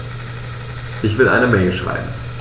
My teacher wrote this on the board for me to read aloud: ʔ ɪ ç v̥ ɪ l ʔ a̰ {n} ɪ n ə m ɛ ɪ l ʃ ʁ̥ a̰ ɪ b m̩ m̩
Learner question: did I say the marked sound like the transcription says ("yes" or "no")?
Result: no